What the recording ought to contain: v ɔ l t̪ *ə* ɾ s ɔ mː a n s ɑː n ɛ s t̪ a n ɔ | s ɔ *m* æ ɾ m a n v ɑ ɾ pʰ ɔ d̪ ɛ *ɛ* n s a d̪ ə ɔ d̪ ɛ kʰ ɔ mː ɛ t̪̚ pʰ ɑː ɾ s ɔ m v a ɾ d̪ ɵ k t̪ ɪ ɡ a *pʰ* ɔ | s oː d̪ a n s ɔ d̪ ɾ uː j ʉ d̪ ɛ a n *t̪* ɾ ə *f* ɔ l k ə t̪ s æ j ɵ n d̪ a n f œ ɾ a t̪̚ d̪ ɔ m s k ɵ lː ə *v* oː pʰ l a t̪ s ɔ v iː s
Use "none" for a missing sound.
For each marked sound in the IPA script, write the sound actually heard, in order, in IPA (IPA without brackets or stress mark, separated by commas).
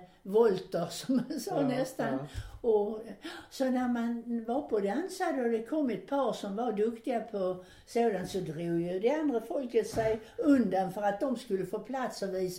ə, n, a, pʰ, d̪, f, f